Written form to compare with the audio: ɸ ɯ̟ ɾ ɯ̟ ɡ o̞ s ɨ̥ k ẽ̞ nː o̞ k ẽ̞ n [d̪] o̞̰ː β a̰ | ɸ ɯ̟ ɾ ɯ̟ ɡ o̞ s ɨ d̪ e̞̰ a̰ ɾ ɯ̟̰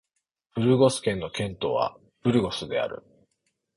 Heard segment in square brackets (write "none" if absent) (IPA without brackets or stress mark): t̪